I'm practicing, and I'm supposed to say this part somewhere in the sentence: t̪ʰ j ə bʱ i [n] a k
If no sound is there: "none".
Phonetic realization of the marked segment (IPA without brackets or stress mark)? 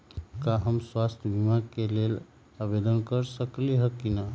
m